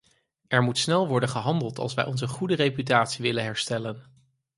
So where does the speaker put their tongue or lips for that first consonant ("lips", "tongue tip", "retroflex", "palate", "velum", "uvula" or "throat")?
tongue tip